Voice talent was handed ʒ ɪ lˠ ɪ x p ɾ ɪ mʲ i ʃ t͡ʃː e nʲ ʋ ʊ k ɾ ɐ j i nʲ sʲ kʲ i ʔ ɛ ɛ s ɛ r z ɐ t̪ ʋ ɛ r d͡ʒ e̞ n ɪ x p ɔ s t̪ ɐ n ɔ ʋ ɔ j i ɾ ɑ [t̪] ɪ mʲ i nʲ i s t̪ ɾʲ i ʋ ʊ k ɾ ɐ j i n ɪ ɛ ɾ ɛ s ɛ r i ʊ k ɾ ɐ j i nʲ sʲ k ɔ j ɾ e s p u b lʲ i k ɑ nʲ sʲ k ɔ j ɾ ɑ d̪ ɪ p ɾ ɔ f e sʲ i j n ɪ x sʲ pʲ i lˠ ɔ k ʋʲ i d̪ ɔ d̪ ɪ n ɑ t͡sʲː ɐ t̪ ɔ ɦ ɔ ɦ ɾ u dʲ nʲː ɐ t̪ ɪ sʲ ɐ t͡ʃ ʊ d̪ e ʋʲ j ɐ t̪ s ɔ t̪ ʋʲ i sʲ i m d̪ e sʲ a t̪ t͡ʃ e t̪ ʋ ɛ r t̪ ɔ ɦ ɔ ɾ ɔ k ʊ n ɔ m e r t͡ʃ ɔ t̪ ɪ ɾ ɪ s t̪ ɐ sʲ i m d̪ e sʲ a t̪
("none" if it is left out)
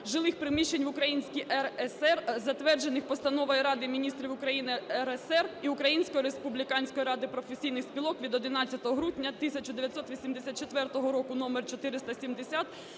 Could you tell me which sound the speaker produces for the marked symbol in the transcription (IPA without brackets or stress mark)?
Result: d̪